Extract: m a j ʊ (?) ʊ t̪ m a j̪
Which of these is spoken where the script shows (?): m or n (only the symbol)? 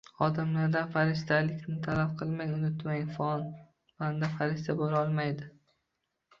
n